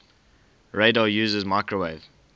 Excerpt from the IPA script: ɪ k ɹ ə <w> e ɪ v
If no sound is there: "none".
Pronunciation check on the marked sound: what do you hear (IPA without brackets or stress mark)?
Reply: w